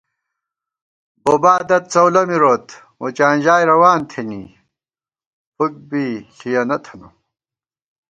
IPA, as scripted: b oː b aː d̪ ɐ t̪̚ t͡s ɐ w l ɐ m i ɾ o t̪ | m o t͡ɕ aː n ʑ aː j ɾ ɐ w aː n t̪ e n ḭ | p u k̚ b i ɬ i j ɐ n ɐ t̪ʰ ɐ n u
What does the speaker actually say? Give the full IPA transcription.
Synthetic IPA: b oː b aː d̪ ɐ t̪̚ t͡s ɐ w l ɐ m i ɾ o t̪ | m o t͡ɕ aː n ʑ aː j ɾ ɐ w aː n t̪ʰ e n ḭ | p u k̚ b i ɬ i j ɐ n ɐ t̪ʰ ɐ n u